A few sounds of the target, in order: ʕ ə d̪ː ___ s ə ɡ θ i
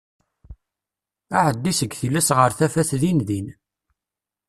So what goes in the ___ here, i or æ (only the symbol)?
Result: i